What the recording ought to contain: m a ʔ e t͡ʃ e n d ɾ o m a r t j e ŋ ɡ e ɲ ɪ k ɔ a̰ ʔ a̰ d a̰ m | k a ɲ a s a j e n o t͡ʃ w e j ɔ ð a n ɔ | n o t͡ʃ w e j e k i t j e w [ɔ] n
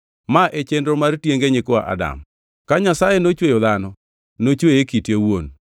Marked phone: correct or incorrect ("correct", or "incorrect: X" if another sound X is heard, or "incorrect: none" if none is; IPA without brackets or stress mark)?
incorrect: o